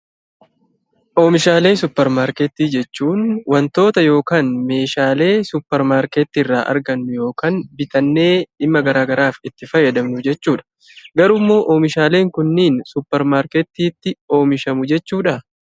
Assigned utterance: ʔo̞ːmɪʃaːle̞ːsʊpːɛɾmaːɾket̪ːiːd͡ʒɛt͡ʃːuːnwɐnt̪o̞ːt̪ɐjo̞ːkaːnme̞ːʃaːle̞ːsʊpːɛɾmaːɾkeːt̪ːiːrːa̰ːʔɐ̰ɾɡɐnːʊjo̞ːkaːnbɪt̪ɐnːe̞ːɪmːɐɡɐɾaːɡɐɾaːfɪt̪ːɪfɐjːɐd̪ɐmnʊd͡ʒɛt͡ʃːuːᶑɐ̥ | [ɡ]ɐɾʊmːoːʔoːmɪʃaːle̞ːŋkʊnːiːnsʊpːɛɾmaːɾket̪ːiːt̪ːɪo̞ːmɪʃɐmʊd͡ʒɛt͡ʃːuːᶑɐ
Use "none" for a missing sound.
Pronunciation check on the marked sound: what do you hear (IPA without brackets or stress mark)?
ɡ